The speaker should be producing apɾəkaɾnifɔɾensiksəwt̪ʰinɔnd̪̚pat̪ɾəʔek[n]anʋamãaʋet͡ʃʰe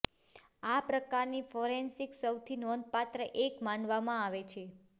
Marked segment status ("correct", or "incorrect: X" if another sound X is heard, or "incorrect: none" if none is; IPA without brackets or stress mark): incorrect: m